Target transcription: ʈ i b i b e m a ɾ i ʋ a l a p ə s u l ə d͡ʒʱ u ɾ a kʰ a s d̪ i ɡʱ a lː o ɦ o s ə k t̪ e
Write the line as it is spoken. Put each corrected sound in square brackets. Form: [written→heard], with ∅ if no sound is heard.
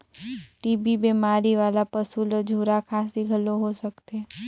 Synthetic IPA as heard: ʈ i b i b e m a ɾ i ʋ a l a p ə s u l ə d͡ʒʱ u ɾ a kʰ a s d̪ i ɡʱ [a→ə] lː o ɦ o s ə k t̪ e

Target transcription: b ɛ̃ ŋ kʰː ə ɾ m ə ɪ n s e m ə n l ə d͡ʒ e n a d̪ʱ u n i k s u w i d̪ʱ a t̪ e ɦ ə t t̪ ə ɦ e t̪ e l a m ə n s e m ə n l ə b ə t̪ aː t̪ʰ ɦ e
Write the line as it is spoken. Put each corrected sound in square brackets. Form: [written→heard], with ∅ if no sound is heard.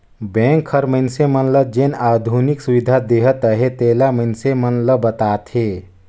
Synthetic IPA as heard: b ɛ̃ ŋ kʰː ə ɾ m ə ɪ n s e m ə n l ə d͡ʒ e n a d̪ʱ u n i k s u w i d̪ʱ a [t̪→d̪] e ɦ ə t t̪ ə ɦ e t̪ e l a m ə n s e m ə n l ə b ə t̪ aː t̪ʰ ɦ e

